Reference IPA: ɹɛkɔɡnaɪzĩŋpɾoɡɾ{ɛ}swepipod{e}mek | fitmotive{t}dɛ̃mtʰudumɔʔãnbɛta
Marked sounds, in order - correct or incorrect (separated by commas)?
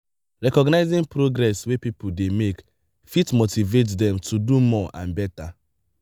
correct, correct, correct